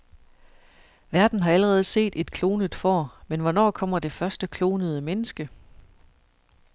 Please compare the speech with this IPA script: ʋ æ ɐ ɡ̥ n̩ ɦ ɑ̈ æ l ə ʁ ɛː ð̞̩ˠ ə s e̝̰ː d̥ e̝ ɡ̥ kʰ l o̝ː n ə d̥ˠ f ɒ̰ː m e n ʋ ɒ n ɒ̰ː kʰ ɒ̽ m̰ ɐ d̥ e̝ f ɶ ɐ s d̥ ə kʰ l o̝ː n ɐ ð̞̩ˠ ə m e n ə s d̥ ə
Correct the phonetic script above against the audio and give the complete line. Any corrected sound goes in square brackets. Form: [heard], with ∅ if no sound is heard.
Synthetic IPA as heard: ʋ æ ɐ [d̥] n̩ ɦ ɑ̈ æ l ə ʁ ɛː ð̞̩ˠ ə s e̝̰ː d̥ e̝ [d̥] kʰ l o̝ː n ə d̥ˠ f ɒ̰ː m e n ʋ ɒ n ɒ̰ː kʰ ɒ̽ m̰ ɐ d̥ e̝ f ɶ ɐ s d̥ ə kʰ l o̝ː n [ə] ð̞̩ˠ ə m e n ə s [ɡ̥] ə